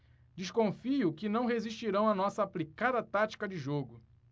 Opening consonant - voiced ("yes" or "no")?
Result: yes